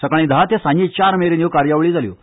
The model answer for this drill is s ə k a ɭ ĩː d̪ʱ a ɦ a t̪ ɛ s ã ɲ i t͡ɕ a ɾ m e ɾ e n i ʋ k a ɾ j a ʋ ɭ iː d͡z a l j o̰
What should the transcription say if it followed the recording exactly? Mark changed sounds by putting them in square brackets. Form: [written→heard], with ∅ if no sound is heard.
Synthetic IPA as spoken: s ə k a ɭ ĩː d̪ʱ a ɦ a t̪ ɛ s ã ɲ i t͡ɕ a ɾ m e ɾ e n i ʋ k a ɾ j a ʋ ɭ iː d͡z a l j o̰